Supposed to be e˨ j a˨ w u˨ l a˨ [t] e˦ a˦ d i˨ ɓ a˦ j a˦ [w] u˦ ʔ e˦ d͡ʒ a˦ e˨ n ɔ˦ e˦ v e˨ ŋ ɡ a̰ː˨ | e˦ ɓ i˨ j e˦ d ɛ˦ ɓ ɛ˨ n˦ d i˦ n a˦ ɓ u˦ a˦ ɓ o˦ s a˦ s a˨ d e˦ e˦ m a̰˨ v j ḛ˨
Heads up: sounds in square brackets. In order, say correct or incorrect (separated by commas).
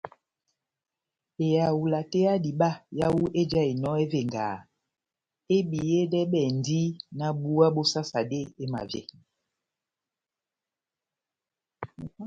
correct, correct